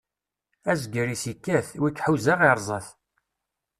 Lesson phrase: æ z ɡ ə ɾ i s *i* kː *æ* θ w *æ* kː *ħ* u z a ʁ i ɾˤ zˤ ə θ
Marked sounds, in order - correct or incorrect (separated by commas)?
correct, correct, incorrect, correct